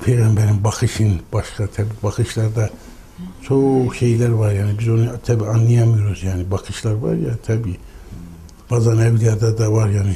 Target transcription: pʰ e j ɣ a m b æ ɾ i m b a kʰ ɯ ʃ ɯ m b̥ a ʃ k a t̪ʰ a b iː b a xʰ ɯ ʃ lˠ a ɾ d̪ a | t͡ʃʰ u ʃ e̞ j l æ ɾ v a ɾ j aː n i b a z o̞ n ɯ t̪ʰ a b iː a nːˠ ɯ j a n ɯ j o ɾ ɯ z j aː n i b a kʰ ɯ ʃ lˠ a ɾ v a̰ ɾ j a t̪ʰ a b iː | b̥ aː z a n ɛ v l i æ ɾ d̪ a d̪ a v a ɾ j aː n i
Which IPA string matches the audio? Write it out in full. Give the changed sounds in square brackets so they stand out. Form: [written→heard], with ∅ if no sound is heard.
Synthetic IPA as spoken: pʰ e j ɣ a m b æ ɾ i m b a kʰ ɯ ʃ ɯ [m→n] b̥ a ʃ k a t̪ʰ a b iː b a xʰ ɯ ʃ lˠ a ɾ d̪ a | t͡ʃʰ [u→o] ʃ e̞ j l æ ɾ v a ɾ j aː n i b [a→i] z o̞ n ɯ t̪ʰ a b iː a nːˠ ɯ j a [n→m] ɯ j o ɾ [ɯ→u] z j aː n i b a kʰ ɯ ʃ lˠ a ɾ v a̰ ɾ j a t̪ʰ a b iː | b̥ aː z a n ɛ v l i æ ɾ d̪ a d̪ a v a ɾ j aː n i